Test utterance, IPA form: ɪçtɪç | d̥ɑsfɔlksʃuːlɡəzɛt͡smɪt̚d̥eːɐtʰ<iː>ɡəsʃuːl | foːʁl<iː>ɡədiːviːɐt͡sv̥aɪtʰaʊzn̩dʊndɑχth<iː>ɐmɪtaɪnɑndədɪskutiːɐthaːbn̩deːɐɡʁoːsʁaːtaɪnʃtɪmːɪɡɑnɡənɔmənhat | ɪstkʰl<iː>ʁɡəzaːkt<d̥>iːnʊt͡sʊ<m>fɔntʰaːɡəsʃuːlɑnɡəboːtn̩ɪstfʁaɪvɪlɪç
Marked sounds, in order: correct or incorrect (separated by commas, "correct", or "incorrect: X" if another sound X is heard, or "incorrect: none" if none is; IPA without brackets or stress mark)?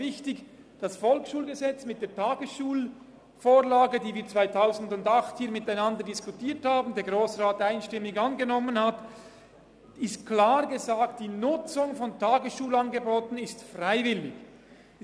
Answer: incorrect: aː, incorrect: aː, correct, incorrect: aː, correct, incorrect: ŋ